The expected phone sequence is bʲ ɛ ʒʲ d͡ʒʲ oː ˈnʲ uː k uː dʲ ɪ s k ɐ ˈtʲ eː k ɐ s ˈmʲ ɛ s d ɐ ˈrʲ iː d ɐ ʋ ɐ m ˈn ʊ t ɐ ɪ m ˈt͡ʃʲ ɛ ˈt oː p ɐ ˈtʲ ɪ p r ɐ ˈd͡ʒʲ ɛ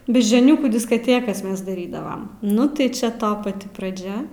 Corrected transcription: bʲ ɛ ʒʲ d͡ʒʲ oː ˈnʲ uː k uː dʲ ɪ s k ɐ ˈtʲ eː k ɐ s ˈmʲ ɛ s d ɐ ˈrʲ iː d ɐ ʋ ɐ m ˈn ʊ t ɐ ɪ ˈt͡ʃʲ ɛ ˈt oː p ɐ ˈtʲ ɪ p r ɐ ˈd͡ʒʲ ɛ